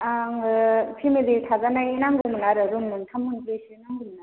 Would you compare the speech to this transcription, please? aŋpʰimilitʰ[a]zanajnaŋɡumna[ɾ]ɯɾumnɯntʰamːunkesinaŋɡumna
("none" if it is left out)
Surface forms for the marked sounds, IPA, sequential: a, ɾ

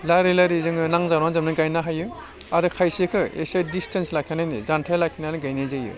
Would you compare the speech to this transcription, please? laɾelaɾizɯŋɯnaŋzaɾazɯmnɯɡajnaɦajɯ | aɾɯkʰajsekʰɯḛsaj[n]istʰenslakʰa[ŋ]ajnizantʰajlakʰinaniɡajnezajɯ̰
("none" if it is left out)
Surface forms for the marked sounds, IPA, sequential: d, n

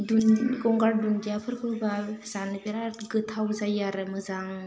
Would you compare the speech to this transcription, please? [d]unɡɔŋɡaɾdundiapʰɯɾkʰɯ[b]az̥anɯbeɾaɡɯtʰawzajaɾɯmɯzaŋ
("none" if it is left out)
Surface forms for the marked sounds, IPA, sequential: d, b

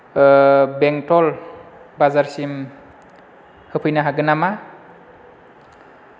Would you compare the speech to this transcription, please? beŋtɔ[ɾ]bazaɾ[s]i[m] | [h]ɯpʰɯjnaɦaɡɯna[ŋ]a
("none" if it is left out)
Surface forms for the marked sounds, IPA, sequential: l, s, m, h, m

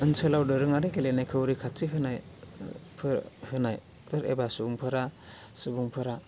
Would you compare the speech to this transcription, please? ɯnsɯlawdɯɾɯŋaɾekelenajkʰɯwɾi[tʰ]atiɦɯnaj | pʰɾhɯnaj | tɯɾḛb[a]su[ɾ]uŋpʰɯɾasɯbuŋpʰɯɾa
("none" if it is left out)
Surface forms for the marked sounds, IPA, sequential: kʰ, a, none

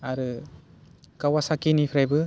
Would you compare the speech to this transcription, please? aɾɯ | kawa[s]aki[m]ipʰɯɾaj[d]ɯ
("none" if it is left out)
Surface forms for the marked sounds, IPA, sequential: s, n, b

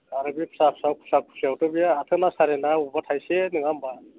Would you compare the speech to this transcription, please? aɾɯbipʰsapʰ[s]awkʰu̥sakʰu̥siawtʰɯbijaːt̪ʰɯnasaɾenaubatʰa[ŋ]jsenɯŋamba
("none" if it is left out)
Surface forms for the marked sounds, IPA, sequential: s, none

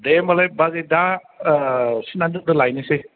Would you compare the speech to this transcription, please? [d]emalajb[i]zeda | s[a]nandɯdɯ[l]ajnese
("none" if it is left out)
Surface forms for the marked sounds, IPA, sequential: d, a, i, l

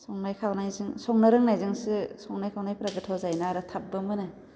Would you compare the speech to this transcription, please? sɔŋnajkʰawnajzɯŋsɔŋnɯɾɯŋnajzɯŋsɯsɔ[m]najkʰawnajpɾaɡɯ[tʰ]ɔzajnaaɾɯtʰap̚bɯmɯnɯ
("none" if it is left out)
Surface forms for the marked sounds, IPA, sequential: ŋ, tʰ

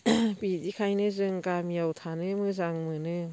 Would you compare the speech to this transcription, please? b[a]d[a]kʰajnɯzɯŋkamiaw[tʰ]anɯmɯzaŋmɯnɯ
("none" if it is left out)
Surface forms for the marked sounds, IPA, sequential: i, i, tʰ

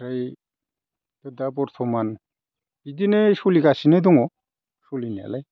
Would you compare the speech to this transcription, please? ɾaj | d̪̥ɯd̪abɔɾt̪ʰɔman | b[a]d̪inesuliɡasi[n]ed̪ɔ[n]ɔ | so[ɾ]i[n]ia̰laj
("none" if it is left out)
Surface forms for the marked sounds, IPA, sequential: i, n, ŋ, l, n

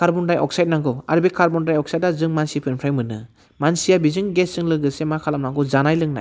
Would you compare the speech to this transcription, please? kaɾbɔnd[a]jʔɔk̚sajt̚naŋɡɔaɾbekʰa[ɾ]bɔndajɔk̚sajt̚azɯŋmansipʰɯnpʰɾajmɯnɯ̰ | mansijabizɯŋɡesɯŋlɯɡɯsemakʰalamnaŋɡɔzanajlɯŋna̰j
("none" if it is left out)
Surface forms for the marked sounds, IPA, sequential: a, ɾ

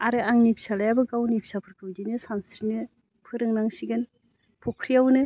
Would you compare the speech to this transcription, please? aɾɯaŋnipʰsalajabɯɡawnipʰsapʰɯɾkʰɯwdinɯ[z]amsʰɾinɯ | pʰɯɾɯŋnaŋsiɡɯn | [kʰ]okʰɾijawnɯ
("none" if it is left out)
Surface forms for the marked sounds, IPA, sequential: s, pʰ

